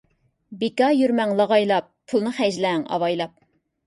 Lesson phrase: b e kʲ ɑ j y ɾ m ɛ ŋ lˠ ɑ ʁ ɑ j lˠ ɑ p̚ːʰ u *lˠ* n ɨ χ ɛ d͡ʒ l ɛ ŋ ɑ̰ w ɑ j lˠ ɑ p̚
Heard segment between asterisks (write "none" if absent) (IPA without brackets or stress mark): lˠ